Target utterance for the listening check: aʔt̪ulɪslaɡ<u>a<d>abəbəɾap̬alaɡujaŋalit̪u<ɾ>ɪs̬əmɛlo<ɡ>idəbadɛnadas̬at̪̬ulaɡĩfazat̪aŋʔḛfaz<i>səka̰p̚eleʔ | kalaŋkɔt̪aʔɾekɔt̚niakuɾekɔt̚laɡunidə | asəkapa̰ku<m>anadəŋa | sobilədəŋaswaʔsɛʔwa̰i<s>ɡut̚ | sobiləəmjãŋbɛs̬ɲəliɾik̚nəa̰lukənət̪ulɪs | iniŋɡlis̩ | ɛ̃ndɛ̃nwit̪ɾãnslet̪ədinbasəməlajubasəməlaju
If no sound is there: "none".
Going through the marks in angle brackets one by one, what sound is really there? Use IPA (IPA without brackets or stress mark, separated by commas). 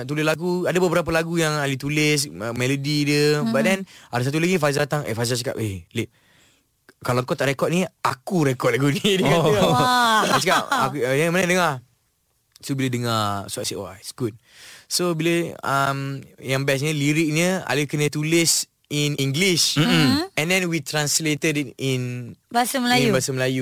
u, d, l, d, a, m, s